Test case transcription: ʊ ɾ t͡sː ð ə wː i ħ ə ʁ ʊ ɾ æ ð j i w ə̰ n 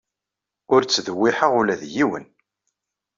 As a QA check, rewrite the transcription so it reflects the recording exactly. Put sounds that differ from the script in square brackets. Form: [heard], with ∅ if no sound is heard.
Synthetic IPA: ʊ ɾ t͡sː ð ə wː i ħ ə ʁ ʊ [l] æ ð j i w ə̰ n